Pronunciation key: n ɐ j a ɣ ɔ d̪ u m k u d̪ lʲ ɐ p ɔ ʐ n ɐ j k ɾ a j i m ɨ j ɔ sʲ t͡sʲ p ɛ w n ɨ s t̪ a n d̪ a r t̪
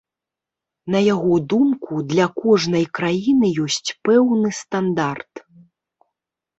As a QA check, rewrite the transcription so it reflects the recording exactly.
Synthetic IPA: n ɐ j a ɣ ɔ d̪ u m k u d̪ lʲ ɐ k ɔ ʐ n ɐ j k ɾ a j i n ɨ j ɔ sʲ t͡sʲ p ɛ w n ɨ s t̪ a n d̪ a r t̪